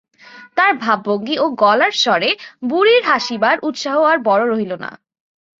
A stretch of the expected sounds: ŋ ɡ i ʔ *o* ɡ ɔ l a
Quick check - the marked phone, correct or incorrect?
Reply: correct